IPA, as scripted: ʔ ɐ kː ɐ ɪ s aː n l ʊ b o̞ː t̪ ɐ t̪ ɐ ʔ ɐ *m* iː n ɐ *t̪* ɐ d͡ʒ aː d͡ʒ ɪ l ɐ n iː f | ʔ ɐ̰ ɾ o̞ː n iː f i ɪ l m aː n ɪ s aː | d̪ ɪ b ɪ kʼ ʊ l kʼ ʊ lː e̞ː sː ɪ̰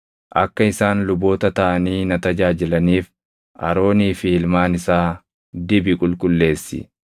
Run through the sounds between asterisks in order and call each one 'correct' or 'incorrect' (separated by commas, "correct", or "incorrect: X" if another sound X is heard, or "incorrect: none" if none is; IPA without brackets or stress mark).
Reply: incorrect: n, correct